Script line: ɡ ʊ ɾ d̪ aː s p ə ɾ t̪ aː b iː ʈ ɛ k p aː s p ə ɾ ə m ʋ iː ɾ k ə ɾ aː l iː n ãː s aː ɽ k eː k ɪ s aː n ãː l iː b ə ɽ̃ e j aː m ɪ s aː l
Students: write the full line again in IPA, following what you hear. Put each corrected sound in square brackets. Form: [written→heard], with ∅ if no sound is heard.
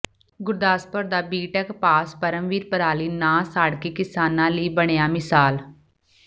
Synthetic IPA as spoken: ɡ ʊ ɾ d̪ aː s p ə ɾ [t̪→d̪] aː b iː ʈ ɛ k p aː s p ə ɾ ə m ʋ iː ɾ [k→p] ə ɾ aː l iː n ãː s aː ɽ k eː k ɪ s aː n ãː l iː b ə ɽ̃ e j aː m ɪ s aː l